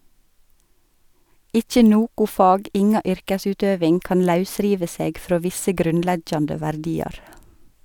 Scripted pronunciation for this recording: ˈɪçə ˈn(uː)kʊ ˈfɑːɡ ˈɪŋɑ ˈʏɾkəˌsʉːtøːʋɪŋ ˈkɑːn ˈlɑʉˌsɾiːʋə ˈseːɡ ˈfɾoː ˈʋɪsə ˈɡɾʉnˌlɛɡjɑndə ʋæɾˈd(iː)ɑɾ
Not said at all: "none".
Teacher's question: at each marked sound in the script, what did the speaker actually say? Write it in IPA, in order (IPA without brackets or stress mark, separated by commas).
oː, iː